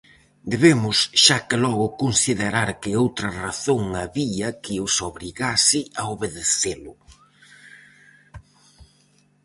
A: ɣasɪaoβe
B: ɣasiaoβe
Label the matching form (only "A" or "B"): A